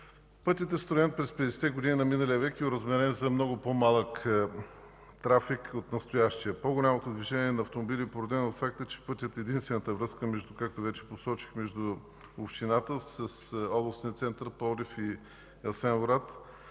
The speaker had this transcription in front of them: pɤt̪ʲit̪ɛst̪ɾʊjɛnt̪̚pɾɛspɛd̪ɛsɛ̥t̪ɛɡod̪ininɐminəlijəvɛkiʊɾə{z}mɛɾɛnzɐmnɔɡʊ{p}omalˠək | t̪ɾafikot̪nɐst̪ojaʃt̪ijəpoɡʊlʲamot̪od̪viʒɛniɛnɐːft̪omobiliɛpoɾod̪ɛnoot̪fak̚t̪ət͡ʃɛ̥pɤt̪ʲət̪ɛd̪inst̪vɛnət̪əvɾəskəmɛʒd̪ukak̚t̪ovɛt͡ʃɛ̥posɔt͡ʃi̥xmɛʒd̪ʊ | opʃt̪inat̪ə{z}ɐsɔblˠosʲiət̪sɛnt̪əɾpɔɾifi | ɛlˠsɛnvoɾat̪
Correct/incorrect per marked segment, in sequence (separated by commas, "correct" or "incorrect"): correct, correct, incorrect